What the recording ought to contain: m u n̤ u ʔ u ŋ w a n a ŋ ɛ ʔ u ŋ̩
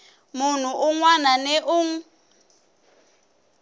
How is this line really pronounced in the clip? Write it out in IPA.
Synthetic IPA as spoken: m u n̤ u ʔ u ŋ w a n a n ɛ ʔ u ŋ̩

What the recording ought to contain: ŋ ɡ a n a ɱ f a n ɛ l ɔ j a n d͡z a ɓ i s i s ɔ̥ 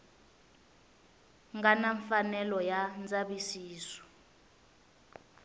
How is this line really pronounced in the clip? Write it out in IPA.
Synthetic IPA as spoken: ŋ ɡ a n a ɱ f a n ɛ l ɔ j a n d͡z a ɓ i s iː s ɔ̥

